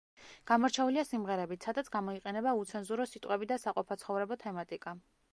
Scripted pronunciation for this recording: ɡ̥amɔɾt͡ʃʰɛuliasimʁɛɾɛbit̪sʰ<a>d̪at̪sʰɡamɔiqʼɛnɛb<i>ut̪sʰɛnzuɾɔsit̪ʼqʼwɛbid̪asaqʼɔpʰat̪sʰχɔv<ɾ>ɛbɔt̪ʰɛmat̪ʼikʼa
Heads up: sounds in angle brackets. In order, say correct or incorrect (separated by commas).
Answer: correct, incorrect, correct